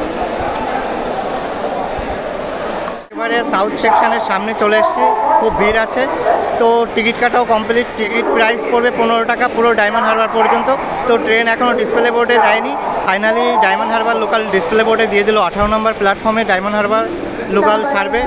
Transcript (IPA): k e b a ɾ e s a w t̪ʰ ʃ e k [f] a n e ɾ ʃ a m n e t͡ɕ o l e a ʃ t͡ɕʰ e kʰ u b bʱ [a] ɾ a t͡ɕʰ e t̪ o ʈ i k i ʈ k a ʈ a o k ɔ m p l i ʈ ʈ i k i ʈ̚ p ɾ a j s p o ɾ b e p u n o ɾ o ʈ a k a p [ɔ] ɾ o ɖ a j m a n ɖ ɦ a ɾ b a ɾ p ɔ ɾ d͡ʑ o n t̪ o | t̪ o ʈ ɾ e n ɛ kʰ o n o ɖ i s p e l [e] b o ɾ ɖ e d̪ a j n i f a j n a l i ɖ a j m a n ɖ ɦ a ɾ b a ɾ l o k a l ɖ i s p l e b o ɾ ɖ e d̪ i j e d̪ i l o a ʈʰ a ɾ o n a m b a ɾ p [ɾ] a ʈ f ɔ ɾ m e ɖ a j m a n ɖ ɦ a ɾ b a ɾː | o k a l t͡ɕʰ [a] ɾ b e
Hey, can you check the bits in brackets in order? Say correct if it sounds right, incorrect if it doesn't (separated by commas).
incorrect, incorrect, incorrect, correct, incorrect, correct